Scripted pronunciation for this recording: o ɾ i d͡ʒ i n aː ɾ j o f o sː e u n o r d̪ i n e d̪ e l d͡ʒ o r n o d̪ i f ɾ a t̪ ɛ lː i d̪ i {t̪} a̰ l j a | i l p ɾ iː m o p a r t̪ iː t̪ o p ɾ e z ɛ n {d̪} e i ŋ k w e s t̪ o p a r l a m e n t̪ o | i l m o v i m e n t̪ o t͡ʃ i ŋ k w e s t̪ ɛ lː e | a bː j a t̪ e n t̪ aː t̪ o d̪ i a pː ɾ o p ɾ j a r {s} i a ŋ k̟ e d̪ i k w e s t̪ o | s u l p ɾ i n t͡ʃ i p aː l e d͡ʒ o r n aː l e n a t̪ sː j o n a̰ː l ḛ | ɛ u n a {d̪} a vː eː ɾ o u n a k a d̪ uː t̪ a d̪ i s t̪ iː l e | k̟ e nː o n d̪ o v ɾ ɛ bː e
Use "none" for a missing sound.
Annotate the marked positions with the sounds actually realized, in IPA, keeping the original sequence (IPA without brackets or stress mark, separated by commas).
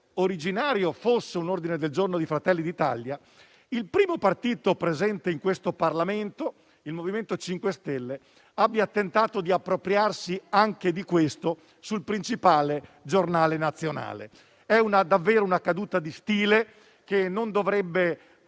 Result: t̪, t̪, s, d̪